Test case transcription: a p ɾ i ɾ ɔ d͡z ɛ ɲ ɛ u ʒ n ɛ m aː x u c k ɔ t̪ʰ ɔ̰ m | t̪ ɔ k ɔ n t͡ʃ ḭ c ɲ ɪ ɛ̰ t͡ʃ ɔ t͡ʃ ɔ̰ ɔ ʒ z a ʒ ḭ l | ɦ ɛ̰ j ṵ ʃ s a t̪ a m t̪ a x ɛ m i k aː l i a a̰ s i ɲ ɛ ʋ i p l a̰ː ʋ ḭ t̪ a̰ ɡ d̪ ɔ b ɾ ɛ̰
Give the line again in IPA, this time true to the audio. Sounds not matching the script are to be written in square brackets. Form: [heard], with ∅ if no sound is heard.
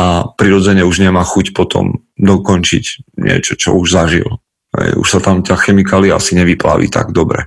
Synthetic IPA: a p ɾ i ɾ ɔ d͡z ɛ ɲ ɛ u ʒ [ɲ] ɛ m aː x u c [p] ɔ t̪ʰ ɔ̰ m | [d̪] ɔ k ɔ n t͡ʃ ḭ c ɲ ɪ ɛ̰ t͡ʃ ɔ t͡ʃ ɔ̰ [u] ʒ z a ʒ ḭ l | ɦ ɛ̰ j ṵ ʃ s a t̪ a m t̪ a x ɛ m i k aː l i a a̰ s i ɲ ɛ ʋ i p l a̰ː ʋ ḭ t̪ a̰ ɡ d̪ ɔ b ɾ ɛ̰